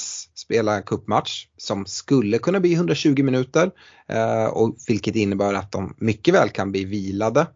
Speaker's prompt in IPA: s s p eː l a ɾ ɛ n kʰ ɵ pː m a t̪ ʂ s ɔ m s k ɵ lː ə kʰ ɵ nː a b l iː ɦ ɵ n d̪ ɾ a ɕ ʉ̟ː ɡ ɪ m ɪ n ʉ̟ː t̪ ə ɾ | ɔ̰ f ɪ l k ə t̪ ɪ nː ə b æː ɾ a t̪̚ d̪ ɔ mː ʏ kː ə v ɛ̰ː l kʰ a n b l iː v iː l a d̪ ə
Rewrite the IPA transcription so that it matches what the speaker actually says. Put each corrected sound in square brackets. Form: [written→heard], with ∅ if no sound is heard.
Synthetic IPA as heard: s s p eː l a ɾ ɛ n kʰ ɵ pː m a t̪ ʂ s ɔ m s k ɵ lː ə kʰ ɵ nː a b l iː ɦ ɵ n d̪ ɾ a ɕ ʉ̟ː ɡ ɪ m ɪ n ʉ̟ː t̪ ə ɾ | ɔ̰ [f→v] ɪ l k ə t̪ ɪ nː ə b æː ɾ a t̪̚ d̪ ɔ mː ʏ kː ə v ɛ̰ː l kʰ a n b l iː v iː l a d̪ ə